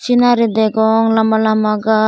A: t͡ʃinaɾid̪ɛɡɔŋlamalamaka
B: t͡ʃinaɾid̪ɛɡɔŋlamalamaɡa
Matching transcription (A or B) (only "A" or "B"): B